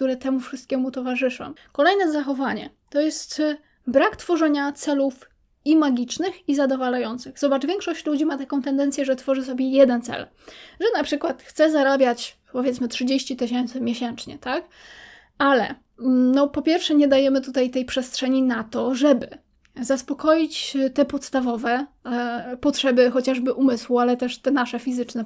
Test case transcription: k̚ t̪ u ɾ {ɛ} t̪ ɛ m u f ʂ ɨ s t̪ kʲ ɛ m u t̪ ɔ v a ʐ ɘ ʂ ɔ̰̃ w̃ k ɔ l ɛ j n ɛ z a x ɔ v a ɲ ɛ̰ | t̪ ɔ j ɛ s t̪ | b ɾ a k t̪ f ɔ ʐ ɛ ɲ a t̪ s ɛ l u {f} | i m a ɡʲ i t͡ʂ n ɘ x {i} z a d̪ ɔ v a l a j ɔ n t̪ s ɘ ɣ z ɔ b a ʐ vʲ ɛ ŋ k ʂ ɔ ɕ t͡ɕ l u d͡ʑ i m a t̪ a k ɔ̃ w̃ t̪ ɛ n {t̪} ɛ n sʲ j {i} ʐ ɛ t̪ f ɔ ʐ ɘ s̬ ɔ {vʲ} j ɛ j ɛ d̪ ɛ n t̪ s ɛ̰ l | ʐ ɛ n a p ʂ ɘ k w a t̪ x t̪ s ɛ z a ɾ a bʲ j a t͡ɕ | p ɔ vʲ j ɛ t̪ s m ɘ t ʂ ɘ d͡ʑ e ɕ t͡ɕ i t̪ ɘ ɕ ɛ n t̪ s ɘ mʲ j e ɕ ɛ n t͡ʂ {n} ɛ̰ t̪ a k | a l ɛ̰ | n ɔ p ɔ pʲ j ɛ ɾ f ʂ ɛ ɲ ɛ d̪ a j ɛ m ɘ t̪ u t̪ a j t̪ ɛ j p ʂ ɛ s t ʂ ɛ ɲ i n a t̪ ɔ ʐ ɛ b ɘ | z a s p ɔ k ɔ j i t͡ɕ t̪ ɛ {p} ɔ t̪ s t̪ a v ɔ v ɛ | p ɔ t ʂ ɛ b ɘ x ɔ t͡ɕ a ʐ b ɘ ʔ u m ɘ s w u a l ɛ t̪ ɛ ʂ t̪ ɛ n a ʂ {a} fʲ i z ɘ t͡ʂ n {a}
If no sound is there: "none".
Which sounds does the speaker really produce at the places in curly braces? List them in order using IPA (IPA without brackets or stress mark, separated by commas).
ɛ, f, i, d̪, ɛ, bʲ, ɲ, p, ɛ, ɛ